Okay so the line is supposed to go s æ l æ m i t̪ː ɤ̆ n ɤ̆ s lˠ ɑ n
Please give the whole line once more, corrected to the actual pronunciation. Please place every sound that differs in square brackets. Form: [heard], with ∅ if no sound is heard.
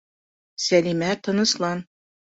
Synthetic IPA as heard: s æ l [i] m [æ] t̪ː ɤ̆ n ɤ̆ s lˠ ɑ n